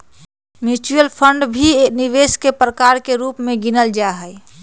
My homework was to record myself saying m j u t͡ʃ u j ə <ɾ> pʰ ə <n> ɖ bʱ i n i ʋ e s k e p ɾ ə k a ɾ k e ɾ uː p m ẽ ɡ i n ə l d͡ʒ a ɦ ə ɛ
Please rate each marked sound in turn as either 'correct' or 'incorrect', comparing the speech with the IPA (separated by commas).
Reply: incorrect, incorrect